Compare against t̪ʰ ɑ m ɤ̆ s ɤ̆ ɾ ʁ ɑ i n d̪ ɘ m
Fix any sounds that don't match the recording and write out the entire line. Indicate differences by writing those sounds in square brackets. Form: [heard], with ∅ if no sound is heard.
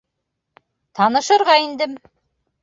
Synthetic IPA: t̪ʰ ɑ [n] ɤ̆ [ʃ] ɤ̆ ɾ ʁ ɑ i n d̪ ɘ m